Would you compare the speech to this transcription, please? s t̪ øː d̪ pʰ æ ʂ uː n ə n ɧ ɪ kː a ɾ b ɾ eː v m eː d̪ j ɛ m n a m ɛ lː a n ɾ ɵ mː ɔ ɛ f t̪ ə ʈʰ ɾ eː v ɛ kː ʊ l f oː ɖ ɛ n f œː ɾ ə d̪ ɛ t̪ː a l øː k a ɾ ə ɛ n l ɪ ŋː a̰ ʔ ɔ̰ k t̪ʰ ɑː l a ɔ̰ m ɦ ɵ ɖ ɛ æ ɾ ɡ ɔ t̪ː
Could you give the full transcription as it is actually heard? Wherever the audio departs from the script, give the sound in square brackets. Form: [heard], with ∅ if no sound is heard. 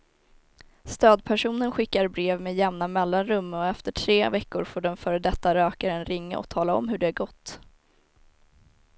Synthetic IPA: s t̪ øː d̪ pʰ æ ʂ uː n ə n ɧ ɪ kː a ɾ b ɾ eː v m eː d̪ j ɛ m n a m ɛ lː a n ɾ ɵ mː ɔ ɛ f t̪ ə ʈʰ ɾ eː v ɛ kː ʊ [ɾ] f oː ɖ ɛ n f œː ɾ ə d̪ ɛ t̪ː a [ɾ] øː k a ɾ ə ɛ n [ɾ] ɪ ŋː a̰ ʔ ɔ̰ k t̪ʰ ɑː l a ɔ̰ m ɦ ɵ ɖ ɛ æ ɾ ɡ ɔ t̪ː